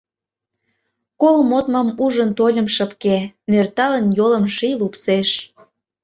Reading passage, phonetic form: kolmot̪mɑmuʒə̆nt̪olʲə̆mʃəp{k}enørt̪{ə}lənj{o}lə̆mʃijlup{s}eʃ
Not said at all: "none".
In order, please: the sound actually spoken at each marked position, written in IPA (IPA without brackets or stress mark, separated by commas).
k, ɑ, o, s